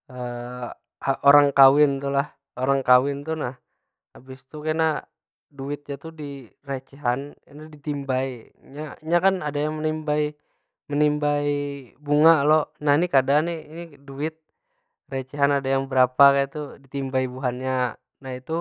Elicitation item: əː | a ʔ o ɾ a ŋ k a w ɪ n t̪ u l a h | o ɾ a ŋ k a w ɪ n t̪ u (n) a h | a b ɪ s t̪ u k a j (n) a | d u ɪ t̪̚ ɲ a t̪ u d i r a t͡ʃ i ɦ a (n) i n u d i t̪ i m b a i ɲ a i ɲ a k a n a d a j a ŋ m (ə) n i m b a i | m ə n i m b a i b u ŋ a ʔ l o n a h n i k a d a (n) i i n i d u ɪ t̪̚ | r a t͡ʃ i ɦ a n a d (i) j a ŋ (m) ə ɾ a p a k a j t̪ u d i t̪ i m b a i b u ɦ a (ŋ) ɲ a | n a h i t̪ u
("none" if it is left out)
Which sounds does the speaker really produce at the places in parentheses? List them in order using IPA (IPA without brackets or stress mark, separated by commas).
n, n, n, ə, n, a, b, n